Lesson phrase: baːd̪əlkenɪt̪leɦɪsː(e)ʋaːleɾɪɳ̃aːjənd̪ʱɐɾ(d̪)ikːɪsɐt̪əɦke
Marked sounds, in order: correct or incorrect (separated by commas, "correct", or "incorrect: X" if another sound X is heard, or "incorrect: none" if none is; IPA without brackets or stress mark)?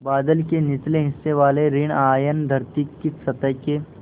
correct, incorrect: t̪